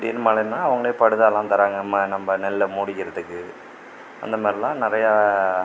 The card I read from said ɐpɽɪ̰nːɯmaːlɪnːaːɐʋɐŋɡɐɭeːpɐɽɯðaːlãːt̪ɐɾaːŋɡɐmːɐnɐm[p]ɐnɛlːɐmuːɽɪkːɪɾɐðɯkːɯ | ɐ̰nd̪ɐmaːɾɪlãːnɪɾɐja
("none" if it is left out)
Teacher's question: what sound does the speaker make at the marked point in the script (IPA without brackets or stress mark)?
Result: b